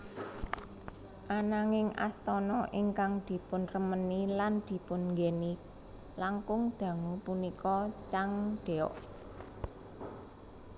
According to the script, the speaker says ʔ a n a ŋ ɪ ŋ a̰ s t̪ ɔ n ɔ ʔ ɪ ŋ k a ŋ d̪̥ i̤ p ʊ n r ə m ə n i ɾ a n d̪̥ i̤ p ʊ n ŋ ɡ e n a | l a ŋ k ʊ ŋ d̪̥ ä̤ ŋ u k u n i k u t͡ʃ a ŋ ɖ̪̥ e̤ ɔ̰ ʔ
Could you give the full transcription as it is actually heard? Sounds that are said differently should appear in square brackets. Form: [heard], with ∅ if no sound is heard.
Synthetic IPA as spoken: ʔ a n a ŋ ɪ ŋ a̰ s t̪ ɔ n ɔ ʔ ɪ ŋ k a ŋ d̪̥ i̤ p ʊ n r ə m ə n i [l] a n d̪̥ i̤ p ʊ n ŋ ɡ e n [i] | l a ŋ k ʊ ŋ d̪̥ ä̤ ŋ u [p] u n i k [ɔ] t͡ʃ a ŋ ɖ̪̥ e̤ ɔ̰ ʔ